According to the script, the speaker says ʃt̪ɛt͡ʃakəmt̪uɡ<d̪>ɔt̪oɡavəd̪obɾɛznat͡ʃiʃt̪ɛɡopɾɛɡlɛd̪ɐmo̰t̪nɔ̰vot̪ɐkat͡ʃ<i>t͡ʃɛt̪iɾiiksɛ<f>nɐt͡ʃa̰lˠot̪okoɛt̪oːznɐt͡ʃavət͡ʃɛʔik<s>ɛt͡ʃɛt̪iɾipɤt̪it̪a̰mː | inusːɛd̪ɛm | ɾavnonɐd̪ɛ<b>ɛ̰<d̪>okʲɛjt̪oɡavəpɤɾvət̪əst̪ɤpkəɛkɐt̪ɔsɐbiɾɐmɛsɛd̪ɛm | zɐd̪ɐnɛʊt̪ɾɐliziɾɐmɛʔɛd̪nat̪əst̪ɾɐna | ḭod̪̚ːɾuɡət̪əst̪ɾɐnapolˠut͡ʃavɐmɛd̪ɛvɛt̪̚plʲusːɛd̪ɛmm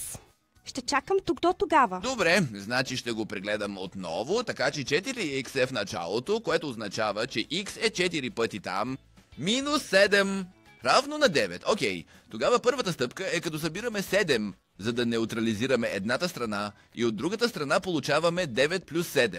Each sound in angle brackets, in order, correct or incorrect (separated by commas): correct, incorrect, correct, correct, incorrect, incorrect